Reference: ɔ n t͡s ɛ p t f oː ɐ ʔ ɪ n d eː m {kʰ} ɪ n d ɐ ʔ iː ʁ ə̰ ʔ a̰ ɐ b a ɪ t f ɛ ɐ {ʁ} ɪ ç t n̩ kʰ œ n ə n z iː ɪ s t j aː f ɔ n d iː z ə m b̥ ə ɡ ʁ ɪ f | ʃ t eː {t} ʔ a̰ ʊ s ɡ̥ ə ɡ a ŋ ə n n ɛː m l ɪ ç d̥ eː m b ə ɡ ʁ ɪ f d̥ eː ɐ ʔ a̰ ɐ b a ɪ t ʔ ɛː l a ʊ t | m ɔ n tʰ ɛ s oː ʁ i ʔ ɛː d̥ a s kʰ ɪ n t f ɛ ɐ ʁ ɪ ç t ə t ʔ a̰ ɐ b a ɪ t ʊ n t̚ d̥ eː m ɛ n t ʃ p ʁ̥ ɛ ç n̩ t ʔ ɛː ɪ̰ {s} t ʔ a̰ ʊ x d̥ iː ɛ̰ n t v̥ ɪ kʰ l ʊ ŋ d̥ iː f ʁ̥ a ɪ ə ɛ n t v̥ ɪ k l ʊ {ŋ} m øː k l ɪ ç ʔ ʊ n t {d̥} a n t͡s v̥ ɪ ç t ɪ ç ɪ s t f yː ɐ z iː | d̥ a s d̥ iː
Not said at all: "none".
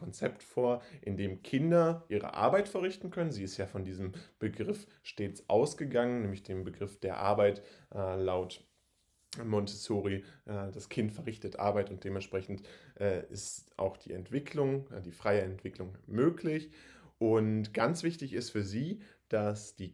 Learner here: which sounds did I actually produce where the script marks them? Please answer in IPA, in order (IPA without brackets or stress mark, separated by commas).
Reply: kʰ, ʁ, t͡s, s, ŋ, ɡ̥